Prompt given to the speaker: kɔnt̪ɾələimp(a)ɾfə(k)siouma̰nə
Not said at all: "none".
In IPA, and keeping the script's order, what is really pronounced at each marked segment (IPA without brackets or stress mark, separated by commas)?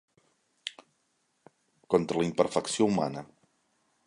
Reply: ə, k